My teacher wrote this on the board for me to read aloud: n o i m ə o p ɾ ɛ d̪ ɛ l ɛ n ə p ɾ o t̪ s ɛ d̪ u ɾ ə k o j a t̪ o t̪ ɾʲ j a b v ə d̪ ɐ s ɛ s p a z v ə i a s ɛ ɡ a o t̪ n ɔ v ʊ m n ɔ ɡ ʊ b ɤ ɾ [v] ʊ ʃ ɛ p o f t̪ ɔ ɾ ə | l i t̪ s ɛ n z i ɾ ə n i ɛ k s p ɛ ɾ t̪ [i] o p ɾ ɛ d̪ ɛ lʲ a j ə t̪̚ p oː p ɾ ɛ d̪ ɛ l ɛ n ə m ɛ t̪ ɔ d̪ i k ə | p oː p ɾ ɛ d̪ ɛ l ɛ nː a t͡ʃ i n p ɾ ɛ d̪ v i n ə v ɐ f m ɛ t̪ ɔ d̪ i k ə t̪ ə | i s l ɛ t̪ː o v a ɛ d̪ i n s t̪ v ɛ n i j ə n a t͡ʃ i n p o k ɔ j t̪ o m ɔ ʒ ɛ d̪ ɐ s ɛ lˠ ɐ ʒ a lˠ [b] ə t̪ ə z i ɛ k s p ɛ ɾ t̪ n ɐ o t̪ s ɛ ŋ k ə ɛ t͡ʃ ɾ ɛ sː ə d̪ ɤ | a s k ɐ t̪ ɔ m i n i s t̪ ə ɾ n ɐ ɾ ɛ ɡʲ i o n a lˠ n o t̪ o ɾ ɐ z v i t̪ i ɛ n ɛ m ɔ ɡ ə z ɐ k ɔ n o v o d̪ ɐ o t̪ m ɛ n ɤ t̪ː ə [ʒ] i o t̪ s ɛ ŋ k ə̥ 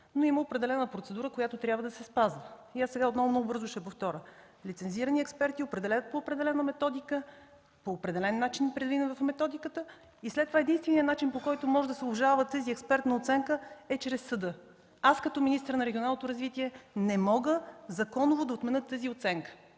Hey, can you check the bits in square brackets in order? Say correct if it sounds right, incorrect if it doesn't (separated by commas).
incorrect, correct, incorrect, incorrect